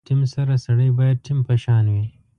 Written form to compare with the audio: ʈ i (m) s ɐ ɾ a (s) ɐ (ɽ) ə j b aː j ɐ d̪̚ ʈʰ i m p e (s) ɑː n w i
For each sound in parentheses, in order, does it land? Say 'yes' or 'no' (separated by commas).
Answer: yes, yes, yes, no